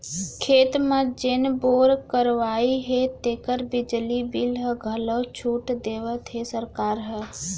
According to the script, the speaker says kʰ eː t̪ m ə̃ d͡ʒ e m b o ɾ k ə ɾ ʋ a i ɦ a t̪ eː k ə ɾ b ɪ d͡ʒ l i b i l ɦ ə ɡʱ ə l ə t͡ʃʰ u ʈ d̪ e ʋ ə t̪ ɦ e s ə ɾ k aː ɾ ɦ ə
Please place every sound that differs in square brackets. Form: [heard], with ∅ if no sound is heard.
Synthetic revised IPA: kʰ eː t̪ m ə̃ d͡ʒ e [n] b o ɾ k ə ɾ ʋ a i ɦ [e] t̪ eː k ə ɾ b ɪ d͡ʒ l i b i l ɦ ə ɡʱ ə l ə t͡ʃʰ u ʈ d̪ e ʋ ə t̪ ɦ e s ə ɾ k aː ɾ ɦ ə